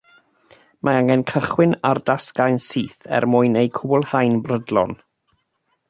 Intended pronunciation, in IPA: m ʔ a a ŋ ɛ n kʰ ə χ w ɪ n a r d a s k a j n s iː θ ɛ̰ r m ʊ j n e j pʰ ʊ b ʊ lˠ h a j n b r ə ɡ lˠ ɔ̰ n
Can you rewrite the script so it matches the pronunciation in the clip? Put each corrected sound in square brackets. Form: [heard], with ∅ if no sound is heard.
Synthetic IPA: m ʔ a a ŋ ɛ n kʰ ə χ w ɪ n a r d a s k a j n s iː θ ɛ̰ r m ʊ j n e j [kʰ] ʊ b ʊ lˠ h a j n b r ə [d] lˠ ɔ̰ n